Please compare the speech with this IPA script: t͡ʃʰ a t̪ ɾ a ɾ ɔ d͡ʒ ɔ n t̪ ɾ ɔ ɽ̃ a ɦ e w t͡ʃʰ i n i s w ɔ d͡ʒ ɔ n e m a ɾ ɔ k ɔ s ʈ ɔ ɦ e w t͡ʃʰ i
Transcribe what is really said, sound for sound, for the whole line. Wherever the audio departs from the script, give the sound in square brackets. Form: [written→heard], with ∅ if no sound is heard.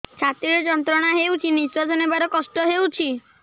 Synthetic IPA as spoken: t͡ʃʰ a t̪ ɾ [a→i] ɾ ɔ d͡ʒ ɔ n t̪ ɾ ɔ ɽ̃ a ɦ e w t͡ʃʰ i n i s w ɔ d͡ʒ ɔ n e [m→b] a ɾ ɔ k ɔ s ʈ ɔ ɦ e w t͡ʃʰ i